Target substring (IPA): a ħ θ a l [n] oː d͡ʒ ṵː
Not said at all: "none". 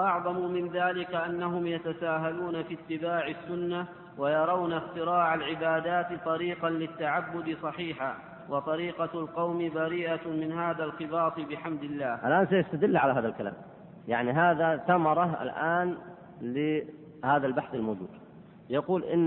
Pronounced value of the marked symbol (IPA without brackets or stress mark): m